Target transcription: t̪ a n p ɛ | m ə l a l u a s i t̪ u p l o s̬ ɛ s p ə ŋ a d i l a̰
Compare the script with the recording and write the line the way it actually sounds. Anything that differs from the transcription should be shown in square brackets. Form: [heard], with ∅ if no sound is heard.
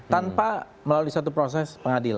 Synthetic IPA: t̪ a n p [a] | m ə l a l u [i] s [a] t̪ u p [ɾ] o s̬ ɛ s p ə ŋ a d i l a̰

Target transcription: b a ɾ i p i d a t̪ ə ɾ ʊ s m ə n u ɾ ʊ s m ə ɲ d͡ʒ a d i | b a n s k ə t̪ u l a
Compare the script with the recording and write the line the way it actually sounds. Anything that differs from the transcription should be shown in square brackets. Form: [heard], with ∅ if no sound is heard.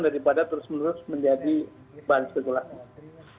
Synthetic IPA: [d] a ɾ i p [a] d a t̪ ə ɾ ʊ s m ə n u ɾ ʊ s m ə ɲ d͡ʒ a d i | b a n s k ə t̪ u l a

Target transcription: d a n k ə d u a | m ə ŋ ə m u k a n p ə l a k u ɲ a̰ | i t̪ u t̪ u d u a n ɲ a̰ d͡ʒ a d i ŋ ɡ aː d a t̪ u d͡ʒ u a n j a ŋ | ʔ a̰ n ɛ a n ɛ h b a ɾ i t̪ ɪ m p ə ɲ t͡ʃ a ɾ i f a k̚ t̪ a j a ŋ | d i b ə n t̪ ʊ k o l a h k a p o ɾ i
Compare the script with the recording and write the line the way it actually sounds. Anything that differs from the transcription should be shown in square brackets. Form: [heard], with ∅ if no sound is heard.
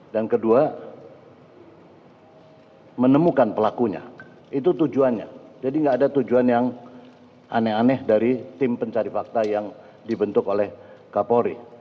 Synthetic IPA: d a n k ə d u a | m ə [n] ə m u k a n p ə l a k u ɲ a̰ | i t̪ u t̪ u [d͡ʒ] u a n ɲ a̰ d͡ʒ a d i ŋ ɡ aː d a t̪ u d͡ʒ u a n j a ŋ | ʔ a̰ n ɛ a n ɛ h [d] a ɾ i t̪ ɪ m p ə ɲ t͡ʃ a ɾ i f a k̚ t̪ a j a ŋ | d i b ə n t̪ ʊ k o l [ɛ] h k a p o ɾ i

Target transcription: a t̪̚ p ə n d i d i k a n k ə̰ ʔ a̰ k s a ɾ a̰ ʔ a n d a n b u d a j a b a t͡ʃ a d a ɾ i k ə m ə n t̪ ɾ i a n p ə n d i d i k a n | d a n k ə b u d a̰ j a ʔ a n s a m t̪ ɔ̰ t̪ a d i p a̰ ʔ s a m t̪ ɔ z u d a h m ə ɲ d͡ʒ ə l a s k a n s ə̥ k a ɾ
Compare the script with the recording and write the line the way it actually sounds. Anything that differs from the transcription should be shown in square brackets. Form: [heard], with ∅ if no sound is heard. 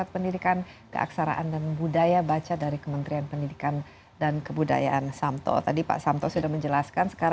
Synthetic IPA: a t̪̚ p ə n d i d i k a n k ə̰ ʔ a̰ k s a ɾ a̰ ʔ a n d a n b u d a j a b a t͡ʃ a d a ɾ i k ə m ə n t̪ ɾ i a n p ə n d i d i k a n | d a n k ə b u d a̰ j a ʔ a n s a m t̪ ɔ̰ t̪ a d i p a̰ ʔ s a m t̪ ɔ [s] u d a h m ə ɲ d͡ʒ ə l a s k a n s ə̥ k a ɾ

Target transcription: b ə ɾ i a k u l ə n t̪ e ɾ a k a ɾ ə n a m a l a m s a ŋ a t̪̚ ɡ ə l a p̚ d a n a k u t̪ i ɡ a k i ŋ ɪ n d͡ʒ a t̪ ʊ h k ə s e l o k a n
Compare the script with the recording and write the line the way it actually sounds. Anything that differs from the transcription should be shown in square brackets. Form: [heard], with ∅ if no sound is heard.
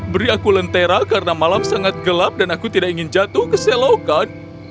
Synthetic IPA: b ə ɾ i a k u l ə n t̪ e ɾ a k a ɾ ə n a m a l a m s a ŋ a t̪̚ ɡ ə l a p̚ d a n a k u t̪ i [d] a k i ŋ ɪ n d͡ʒ a t̪ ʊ h k ə s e l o k a n

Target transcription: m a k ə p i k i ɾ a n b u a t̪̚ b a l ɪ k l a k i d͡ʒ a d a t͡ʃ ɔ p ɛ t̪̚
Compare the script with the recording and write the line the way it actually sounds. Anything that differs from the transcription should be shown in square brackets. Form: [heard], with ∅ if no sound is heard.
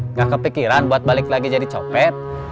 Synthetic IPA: [ŋ] a k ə p i k i ɾ a n b u a t̪̚ b a l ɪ k l a [ɡ] i d͡ʒ a d [i] t͡ʃ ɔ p ɛ t̪̚

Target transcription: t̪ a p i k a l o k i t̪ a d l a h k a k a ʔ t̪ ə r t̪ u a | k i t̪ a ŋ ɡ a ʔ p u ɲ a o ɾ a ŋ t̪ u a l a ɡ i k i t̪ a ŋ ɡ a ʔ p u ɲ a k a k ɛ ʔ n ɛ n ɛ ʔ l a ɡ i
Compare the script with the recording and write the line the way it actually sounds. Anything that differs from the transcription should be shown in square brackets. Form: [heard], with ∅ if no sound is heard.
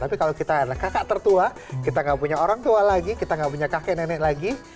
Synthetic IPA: t̪ a p i k a l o k i t̪ a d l a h k a k a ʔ t̪ ə r t̪ u a | k i t̪ a ŋ ɡ a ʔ p u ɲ a o ɾ a ŋ t̪ u a l a ɡ i k i t̪ a ŋ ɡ a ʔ p u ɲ a k a k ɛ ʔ n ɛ n ɛ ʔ l a ɡ i

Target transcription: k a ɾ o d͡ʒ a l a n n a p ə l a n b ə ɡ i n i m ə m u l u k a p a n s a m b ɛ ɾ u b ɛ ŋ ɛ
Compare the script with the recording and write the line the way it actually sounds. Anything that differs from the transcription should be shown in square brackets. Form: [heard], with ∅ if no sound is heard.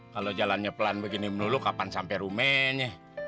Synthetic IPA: k a [l] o d͡ʒ a l a n [ɲ] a p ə l a n b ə ɡ i n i m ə [n] u l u k a p a n s a m [p] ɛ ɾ u [m] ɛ [ɲ] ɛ

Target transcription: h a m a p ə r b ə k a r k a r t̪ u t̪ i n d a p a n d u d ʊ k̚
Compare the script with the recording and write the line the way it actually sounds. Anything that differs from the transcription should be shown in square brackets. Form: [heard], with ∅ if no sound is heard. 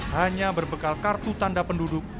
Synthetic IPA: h a [ɲ] a [b] ə r b ə k a [l] k a r t̪ u t̪ [a] n d a p [ə] n d u d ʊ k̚

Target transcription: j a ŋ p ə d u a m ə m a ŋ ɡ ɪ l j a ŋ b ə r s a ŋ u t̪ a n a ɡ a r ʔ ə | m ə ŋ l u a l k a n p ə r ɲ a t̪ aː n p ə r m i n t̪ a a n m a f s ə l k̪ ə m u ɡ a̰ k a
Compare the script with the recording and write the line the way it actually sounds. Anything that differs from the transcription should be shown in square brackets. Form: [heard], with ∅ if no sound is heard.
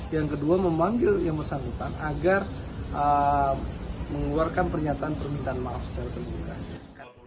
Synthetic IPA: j a ŋ [k] ə d u a m ə m a ŋ ɡ ɪ l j a ŋ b ə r s a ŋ u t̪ a n a ɡ a r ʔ ə | m ə ŋ l u a [r] k a n p ə r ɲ a t̪ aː n p ə r m i n t̪ a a n m a f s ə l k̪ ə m u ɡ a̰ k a

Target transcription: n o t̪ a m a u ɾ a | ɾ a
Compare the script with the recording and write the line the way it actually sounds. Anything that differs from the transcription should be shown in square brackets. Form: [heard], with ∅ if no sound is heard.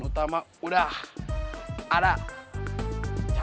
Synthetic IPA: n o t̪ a m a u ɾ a | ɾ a

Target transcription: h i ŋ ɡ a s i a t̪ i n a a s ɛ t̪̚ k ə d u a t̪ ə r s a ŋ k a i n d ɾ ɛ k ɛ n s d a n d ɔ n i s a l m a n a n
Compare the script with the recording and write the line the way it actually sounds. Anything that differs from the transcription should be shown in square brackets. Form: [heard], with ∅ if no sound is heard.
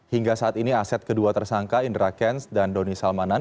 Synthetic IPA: h i ŋ ɡ a s [a] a t̪ i n [i] a s ɛ t̪̚ k ə d u a t̪ ə r s a ŋ k a i n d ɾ [a] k ɛ n s d a n d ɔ n i s a l m a n a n

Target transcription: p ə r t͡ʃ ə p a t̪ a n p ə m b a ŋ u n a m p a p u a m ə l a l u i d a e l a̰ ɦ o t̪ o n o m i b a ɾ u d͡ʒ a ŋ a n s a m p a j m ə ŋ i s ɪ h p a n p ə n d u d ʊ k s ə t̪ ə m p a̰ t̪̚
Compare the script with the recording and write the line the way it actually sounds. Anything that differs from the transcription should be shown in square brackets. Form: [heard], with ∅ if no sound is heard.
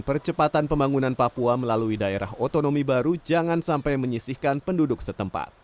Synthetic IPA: p ə r t͡ʃ ə p a t̪ a n p ə m b a ŋ u n a [n] p a p u a m ə l a l u i d a e [ɾ] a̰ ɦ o t̪ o n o m i b a ɾ u d͡ʒ a ŋ a n s a m p a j m ə [ɲ] i s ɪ h [k] a n p ə n d u d ʊ k s ə t̪ ə m p a̰ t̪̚

